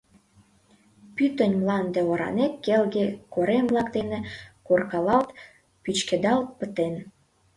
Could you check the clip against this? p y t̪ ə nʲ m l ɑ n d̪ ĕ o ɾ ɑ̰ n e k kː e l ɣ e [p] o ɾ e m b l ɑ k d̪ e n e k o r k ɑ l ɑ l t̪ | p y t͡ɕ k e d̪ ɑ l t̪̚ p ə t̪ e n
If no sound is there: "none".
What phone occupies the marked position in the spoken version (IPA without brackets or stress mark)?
k